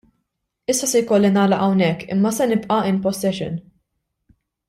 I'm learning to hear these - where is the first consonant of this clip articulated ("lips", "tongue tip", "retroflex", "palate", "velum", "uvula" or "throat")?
tongue tip